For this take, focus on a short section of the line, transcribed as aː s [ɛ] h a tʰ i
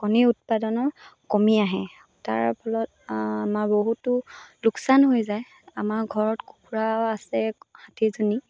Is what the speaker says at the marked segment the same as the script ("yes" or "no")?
yes